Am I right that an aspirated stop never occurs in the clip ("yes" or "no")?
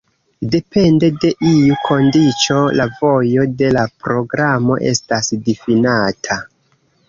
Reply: no